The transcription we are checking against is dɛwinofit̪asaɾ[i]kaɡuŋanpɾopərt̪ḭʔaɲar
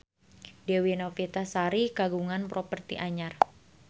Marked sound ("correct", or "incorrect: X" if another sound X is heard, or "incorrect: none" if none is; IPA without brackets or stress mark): correct